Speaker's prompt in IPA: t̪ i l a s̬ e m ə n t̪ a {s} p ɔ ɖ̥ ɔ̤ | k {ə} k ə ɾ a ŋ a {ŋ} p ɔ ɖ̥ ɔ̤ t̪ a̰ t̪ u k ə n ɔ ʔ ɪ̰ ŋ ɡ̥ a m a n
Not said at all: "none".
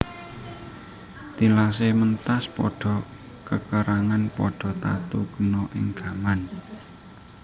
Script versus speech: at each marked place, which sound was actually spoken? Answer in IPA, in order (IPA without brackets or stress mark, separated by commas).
s, ə, n